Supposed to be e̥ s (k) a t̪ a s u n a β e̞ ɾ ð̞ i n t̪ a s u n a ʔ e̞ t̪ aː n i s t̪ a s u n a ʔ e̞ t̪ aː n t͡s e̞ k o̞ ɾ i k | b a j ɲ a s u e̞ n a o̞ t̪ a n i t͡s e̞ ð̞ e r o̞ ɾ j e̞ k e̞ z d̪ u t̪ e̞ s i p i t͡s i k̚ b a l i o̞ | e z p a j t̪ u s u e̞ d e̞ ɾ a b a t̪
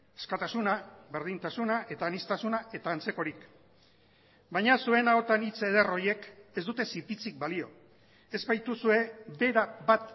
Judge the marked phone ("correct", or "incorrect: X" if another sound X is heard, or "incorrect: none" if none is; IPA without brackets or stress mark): correct